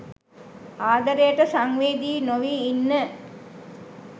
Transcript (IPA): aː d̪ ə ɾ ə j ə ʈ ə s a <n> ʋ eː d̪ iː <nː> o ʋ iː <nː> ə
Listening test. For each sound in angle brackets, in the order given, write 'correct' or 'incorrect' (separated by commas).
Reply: incorrect, incorrect, correct